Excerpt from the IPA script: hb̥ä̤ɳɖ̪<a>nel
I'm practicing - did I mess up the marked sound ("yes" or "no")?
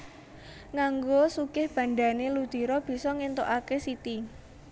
no